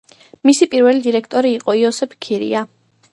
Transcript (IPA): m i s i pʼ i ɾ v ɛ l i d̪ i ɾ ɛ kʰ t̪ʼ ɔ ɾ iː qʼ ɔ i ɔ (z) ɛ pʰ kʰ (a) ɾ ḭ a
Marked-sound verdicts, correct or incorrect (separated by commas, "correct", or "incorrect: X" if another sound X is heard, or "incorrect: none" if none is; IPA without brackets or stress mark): incorrect: s, incorrect: i